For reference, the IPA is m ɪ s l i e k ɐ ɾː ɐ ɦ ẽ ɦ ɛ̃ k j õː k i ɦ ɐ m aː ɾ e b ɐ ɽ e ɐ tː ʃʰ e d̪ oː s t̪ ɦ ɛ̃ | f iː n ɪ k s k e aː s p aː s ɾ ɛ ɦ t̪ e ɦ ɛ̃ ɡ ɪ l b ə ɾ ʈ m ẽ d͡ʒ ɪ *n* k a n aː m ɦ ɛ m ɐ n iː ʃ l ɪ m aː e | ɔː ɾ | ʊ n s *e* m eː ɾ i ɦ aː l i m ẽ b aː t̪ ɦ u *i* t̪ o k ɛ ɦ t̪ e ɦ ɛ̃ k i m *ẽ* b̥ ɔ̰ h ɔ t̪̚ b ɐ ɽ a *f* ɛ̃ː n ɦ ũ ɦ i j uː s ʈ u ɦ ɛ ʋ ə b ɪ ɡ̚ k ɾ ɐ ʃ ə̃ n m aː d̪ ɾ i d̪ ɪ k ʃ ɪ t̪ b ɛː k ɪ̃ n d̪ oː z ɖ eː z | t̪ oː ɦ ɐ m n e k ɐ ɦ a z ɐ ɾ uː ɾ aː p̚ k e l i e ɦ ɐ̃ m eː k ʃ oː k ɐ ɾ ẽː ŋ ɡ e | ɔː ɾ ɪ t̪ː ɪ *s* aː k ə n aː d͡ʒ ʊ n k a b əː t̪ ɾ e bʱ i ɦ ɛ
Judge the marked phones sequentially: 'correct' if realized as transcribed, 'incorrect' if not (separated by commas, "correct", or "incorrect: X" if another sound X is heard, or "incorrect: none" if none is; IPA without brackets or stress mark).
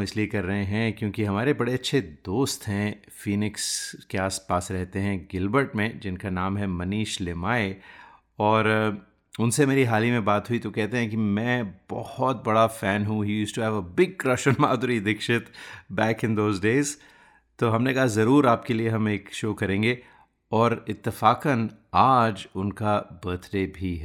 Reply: correct, correct, correct, incorrect: ɛ̃, correct, incorrect: f